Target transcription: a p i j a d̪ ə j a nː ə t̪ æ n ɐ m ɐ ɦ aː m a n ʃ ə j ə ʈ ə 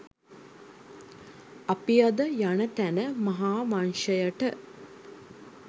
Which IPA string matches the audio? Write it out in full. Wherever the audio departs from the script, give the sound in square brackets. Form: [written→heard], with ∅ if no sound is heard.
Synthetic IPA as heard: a p i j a d̪ ə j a [nː→n] ə t̪ æ n [ɐ→ə] m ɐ ɦ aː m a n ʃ ə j ə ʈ ə